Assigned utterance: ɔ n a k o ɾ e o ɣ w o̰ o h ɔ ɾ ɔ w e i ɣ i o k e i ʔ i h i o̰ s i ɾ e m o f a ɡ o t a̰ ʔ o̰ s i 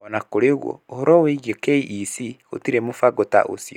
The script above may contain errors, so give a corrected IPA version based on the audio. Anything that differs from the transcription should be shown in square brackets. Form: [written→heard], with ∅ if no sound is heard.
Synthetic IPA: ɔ n a k o ɾ e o ɣ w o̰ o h ɔ ɾ ɔ w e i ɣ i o k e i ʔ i [h→s] i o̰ [s→t] i ɾ e m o f a ɡ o t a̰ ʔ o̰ s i